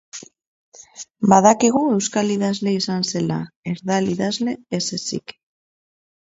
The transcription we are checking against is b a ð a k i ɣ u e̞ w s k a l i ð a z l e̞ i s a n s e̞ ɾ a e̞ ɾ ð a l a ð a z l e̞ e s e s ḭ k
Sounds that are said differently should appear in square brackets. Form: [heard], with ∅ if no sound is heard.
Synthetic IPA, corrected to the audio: b a ð a k i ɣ u e̞ w s k a l i ð a z l e̞ i s a n s e̞ [l] a e̞ ɾ ð a l [i] ð a z l e̞ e s e s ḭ k